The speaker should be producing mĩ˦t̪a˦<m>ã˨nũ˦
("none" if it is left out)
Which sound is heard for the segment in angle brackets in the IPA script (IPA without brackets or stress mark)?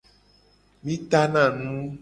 n